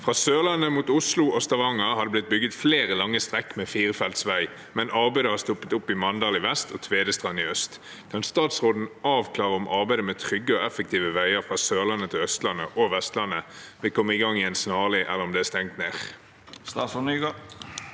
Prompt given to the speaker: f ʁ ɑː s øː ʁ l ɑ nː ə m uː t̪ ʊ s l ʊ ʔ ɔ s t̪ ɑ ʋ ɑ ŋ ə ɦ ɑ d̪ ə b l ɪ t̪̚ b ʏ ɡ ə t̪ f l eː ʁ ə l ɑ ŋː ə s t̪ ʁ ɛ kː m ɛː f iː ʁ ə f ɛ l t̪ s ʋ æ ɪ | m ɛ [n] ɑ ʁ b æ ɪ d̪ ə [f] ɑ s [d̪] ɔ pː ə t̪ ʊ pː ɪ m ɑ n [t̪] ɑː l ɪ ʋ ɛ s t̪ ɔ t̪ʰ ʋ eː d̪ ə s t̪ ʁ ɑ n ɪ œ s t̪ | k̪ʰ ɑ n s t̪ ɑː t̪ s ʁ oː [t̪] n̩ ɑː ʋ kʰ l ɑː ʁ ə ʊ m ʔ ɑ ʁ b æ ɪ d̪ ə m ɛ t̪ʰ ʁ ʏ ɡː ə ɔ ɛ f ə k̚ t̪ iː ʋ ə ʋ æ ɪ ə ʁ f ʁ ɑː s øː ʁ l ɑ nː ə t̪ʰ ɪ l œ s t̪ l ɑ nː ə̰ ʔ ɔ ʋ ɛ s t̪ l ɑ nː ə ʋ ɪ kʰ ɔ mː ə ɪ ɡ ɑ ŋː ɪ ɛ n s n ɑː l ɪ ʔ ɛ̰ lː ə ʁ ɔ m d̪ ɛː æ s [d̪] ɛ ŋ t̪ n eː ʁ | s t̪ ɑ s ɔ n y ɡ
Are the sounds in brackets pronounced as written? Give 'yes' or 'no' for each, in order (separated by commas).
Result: yes, no, no, no, no, no